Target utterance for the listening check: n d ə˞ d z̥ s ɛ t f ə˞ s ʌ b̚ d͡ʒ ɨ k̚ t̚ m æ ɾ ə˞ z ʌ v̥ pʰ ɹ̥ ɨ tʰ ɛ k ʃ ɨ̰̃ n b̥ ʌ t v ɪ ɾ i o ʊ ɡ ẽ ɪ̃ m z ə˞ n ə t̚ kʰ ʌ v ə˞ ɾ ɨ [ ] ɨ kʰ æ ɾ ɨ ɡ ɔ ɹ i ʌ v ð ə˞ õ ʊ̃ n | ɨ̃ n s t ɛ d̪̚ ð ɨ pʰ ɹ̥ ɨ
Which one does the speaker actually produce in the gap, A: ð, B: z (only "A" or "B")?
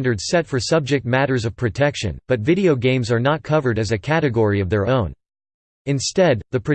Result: B